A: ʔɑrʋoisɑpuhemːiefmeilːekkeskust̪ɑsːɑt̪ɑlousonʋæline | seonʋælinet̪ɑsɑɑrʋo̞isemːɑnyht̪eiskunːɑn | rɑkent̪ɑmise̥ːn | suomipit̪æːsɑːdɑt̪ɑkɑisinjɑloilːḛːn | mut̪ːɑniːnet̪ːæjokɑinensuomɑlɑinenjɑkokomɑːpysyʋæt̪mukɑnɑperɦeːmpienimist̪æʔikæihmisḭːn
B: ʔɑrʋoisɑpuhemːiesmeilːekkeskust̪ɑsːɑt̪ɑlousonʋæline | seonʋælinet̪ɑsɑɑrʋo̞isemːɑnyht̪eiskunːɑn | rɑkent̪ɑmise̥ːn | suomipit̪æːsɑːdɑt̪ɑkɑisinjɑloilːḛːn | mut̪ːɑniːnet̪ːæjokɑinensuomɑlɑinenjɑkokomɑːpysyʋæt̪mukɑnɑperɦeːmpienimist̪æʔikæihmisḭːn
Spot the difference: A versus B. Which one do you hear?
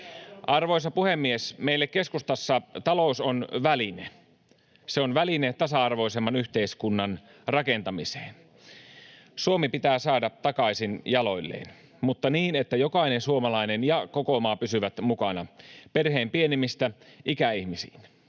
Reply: B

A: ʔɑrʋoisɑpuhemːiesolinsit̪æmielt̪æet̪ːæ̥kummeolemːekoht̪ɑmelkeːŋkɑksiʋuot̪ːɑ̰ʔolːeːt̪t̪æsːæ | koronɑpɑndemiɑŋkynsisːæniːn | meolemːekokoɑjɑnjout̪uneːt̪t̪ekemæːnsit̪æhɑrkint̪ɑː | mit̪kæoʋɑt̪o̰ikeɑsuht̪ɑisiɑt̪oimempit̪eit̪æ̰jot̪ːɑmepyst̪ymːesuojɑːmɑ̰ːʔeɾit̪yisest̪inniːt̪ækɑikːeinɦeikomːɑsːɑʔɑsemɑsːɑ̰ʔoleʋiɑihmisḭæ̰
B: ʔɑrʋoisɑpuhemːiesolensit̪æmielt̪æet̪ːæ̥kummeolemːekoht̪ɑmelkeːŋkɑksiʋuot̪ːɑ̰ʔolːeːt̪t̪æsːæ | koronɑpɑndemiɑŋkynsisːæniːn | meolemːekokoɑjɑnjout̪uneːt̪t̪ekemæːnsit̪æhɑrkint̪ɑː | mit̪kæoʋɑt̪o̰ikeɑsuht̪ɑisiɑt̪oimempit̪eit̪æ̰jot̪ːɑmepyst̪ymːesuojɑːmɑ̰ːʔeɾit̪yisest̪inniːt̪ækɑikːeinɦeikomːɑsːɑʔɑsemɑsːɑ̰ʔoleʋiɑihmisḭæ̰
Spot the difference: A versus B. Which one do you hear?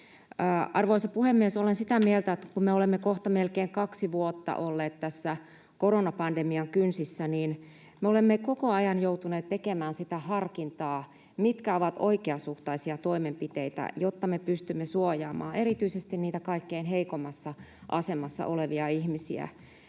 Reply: B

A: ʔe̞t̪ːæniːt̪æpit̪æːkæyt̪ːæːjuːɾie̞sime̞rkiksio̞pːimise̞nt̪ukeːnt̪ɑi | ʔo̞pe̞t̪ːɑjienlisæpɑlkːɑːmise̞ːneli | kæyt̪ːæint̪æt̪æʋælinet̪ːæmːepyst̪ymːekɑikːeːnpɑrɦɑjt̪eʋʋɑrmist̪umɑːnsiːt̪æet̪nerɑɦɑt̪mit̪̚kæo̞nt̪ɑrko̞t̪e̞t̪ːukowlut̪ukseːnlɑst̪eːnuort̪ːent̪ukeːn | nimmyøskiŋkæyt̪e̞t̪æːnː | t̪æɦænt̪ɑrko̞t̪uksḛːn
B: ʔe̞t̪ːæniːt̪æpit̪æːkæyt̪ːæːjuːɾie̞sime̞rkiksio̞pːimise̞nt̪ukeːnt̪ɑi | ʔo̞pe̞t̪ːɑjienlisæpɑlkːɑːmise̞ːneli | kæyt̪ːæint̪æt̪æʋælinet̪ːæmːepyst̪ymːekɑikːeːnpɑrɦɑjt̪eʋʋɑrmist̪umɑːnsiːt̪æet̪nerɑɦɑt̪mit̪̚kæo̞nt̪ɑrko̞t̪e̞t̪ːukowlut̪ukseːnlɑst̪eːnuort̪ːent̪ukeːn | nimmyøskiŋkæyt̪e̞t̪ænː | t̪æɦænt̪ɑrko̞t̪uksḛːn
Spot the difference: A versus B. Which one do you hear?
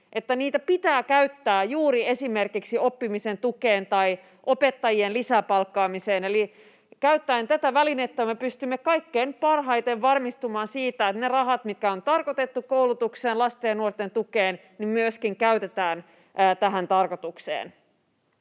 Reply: A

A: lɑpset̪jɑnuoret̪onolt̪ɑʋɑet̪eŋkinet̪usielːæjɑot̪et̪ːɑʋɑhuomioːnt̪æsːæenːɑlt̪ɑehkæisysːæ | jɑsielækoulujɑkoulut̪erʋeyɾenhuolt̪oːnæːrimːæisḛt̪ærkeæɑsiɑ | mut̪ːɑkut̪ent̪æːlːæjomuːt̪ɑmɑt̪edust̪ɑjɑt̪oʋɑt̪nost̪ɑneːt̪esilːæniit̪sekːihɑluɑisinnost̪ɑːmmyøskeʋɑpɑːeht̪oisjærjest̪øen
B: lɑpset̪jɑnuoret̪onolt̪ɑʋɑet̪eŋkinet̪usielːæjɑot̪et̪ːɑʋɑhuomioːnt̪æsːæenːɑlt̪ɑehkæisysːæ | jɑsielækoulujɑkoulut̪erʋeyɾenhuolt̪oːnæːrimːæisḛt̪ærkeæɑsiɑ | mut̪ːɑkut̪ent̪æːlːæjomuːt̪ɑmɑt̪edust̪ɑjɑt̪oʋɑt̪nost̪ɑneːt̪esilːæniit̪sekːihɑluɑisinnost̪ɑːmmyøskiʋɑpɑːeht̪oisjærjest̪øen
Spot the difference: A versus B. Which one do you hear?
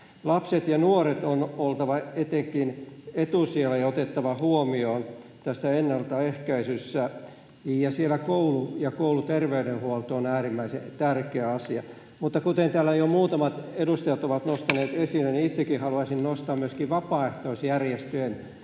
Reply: B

